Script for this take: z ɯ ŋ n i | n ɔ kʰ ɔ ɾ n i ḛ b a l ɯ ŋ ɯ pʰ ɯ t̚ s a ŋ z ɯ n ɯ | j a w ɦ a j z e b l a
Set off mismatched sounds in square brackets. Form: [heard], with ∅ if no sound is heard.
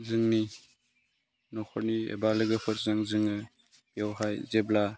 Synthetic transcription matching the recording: z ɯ ŋ n i | n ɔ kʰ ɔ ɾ n i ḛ b a l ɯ [ɡ] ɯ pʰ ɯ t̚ [z] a ŋ z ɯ [ŋ] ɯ | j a w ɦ a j z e b l a